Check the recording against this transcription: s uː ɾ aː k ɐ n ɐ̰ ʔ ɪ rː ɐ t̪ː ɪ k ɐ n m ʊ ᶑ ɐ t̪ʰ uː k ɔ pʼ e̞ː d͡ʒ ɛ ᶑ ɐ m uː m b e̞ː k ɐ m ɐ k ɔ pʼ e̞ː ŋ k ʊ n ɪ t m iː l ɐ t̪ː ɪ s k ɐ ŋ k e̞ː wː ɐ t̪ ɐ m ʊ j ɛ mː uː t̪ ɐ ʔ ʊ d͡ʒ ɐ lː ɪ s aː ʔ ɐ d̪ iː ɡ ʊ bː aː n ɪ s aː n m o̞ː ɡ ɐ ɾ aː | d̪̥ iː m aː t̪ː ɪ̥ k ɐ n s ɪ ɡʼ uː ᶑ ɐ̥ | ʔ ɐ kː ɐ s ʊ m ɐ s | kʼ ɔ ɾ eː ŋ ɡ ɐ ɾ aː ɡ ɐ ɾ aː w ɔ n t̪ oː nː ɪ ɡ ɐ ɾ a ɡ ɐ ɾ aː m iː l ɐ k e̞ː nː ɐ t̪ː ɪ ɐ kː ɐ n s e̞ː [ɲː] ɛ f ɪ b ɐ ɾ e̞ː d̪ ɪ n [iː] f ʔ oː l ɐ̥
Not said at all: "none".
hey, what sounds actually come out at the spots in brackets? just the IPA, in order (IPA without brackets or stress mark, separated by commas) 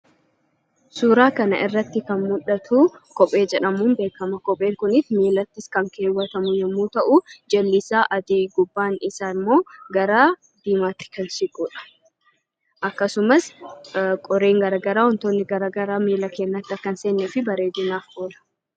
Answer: nː, aː